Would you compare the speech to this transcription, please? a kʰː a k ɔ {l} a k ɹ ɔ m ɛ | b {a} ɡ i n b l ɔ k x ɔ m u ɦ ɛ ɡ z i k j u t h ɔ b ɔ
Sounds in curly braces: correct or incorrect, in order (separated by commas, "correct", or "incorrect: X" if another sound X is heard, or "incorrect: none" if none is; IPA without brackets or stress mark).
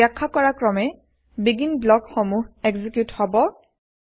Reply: incorrect: ɹ, incorrect: i